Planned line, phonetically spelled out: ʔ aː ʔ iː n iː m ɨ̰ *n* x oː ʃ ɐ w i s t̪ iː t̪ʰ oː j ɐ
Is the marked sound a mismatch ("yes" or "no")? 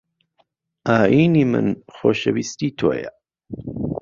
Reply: no